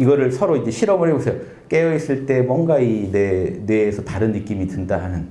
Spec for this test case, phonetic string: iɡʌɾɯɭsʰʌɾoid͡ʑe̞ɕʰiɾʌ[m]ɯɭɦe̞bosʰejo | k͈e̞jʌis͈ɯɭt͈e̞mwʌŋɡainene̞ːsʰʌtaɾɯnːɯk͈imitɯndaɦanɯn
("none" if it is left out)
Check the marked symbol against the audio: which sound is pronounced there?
m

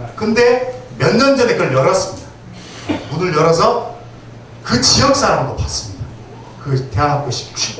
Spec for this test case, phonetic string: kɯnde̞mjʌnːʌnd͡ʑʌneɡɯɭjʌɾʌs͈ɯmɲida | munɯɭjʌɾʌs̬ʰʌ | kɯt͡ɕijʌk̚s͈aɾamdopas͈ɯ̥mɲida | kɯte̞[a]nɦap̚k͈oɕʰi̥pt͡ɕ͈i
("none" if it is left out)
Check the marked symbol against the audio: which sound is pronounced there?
a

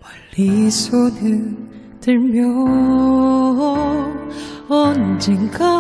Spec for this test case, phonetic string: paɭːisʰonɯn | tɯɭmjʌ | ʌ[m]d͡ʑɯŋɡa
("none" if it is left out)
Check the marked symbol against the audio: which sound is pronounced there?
n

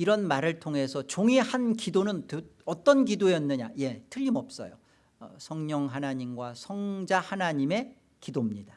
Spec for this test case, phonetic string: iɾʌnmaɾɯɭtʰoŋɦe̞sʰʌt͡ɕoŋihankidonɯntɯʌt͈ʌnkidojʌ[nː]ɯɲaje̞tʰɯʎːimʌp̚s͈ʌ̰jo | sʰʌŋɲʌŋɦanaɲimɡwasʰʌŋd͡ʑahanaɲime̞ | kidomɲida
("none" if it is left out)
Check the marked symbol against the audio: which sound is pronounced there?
nː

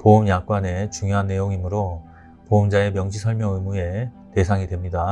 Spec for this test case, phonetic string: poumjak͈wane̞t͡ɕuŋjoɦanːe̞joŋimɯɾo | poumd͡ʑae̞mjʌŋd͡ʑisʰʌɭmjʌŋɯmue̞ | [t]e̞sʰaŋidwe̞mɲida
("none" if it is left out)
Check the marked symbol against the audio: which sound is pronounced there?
t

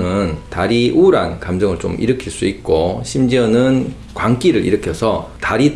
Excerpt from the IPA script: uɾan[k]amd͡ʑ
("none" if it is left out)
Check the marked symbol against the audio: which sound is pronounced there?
k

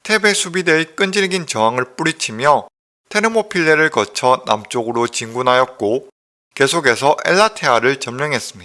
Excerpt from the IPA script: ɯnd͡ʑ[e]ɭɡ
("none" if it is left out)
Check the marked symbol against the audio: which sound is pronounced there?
i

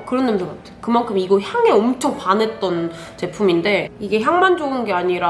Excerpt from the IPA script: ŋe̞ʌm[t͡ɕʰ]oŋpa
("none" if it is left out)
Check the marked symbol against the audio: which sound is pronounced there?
t͡ɕʰ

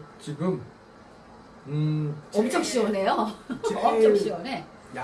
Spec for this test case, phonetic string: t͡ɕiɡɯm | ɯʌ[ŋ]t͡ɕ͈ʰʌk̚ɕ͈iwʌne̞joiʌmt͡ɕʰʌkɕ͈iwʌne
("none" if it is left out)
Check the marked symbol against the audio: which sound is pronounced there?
m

